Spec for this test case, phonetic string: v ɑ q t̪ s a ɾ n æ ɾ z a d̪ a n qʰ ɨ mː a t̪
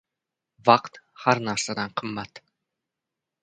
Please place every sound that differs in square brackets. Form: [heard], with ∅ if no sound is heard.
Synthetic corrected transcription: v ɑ q t̪ [h] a ɾ n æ ɾ [s] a d̪ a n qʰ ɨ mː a t̪